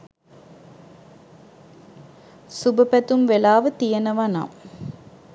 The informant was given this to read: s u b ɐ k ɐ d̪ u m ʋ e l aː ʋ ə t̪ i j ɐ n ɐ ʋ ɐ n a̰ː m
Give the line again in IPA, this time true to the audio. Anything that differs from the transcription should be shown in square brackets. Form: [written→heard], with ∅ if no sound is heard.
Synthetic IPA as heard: s u b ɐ [k→p] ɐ [d̪→t̪] u m ʋ e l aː ʋ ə t̪ i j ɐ n ɐ ʋ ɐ n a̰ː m